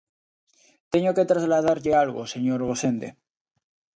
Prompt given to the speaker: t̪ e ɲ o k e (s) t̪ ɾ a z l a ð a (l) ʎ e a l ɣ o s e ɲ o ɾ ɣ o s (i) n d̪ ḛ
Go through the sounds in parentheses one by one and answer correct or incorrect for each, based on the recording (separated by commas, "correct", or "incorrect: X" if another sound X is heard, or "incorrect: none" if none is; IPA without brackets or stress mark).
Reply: incorrect: none, incorrect: ɾ, incorrect: e